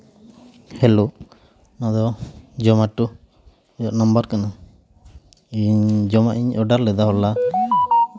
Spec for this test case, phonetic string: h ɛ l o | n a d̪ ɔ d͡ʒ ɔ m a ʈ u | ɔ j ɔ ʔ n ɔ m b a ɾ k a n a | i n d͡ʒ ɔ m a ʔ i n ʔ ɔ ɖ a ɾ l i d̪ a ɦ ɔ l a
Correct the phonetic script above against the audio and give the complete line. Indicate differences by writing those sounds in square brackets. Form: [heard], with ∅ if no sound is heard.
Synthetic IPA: h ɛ l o | n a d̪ ɔ d͡ʒ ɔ m a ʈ u | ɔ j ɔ ʔ n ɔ m b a ɾ k a n a | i [ɲ] d͡ʒ ɔ m a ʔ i [ɲ] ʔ ɔ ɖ a ɾ l [ɛ] d̪ a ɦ ɔ l a